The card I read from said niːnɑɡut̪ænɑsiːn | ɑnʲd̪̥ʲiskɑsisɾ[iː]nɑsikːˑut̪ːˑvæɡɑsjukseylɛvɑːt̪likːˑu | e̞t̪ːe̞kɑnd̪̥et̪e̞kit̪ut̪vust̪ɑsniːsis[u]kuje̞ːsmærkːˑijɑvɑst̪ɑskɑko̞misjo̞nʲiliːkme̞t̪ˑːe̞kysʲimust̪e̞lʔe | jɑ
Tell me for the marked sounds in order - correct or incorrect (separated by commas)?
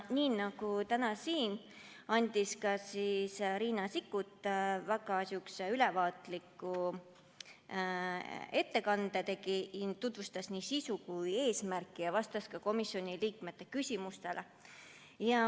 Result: correct, correct